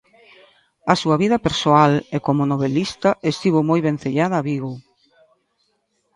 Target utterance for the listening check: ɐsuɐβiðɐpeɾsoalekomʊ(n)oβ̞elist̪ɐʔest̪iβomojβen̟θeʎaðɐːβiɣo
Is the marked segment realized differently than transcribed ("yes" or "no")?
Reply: no